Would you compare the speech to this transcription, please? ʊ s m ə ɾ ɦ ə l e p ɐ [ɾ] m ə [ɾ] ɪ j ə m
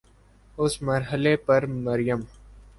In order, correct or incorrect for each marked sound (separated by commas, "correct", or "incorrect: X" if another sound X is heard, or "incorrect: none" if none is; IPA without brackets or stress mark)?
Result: correct, correct